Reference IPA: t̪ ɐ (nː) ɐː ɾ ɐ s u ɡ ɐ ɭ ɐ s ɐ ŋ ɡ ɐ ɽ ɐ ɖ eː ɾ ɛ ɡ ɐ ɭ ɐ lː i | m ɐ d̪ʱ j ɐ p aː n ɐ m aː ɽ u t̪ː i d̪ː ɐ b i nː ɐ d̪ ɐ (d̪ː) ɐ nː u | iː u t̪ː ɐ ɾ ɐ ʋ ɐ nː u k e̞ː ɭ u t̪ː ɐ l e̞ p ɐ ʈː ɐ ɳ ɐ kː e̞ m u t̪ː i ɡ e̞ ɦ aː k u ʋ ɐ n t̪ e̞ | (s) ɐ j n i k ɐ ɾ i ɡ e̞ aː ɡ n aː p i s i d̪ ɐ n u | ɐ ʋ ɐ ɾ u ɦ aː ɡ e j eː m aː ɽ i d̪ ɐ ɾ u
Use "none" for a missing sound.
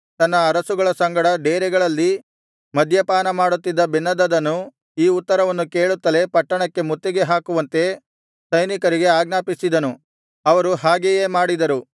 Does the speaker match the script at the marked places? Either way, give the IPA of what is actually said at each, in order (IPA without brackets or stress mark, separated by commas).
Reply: nː, d̪, s